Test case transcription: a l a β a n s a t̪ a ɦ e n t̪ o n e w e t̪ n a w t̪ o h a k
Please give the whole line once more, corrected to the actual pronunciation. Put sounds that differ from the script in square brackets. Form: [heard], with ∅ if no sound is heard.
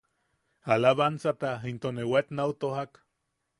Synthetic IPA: a l a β a n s a t̪ a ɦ [i] n t̪ o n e w e t̪ n a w t̪ o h a k

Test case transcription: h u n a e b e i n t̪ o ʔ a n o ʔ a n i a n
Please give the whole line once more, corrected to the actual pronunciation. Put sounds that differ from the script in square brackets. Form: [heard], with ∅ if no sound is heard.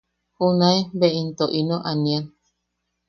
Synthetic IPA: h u n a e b e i n t̪ o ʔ [i] n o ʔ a n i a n

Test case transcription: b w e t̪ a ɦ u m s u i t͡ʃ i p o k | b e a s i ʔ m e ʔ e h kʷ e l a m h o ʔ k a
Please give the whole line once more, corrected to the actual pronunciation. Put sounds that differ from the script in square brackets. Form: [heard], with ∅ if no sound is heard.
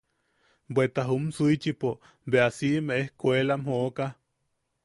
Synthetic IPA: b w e t̪ a ɦ u m s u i t͡ʃ i p o [∅] | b e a s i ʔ m e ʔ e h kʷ e l a m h o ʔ k a

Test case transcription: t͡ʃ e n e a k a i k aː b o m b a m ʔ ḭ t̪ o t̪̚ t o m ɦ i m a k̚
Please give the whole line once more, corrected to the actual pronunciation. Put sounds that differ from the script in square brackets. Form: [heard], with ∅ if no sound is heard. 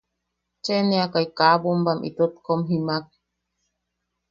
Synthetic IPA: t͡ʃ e n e a k a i k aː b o m b a m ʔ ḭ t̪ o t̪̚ [k] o m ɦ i m a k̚

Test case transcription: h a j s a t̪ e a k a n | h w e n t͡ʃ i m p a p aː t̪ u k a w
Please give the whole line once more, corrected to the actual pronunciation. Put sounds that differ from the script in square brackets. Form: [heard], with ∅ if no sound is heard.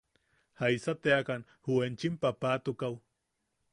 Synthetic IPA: h a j s a t̪ e a k a n | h [u] e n t͡ʃ i m p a p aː t̪ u k a w

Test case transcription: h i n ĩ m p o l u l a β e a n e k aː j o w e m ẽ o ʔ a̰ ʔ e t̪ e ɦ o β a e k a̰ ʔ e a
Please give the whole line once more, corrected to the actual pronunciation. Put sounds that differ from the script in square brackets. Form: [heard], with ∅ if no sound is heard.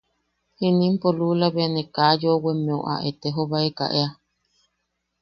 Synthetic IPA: h i n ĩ m p o l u l a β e a n e k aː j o w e m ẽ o ʔ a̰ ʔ e t̪ e ɦ o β a e k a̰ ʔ e a

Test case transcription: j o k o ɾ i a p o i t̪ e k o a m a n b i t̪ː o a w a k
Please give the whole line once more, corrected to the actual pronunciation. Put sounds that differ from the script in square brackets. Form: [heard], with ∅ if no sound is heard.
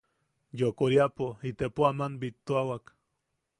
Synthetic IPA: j o k o ɾ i a p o i t̪ e [p] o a m a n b i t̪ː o a w a k

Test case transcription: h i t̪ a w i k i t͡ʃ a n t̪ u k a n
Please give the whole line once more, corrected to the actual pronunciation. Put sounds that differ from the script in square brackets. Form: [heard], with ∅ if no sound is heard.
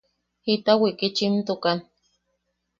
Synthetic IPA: h i t̪ a w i k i t͡ʃ [i] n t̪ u k a n

